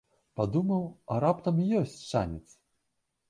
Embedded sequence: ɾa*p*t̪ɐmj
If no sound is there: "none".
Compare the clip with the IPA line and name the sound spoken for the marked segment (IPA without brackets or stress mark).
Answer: p